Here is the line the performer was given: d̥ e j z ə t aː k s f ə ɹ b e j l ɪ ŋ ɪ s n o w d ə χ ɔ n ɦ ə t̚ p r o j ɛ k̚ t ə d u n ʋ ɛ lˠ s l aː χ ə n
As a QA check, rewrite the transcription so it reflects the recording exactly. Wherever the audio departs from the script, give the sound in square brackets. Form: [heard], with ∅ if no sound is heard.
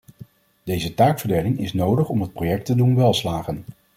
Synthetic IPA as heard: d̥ e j z ə t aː k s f ə ɹ [d] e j l ɪ ŋ ɪ s n o w d ə χ ɔ [m] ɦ ə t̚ p r o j ɛ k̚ t ə d u n ʋ ɛ lˠ s l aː χ ə n